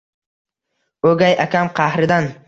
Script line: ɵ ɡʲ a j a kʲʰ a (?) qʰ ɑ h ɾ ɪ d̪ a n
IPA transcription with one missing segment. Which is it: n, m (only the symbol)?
m